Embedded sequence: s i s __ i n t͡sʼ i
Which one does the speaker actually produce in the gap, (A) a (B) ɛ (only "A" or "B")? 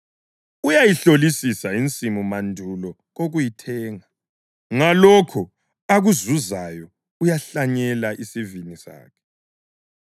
A